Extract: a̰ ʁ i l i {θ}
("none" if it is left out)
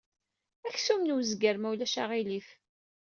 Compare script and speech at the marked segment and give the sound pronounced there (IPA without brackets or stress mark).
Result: f